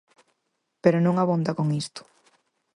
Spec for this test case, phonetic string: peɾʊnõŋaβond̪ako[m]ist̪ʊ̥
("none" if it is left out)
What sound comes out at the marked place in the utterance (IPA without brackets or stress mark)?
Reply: ŋ